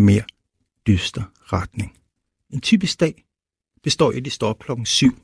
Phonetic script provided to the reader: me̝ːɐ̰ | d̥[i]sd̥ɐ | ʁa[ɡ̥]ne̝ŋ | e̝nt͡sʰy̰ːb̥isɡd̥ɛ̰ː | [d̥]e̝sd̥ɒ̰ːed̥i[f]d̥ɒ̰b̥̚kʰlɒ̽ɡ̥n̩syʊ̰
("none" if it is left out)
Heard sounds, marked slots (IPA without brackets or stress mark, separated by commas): y, d̥, b̥, s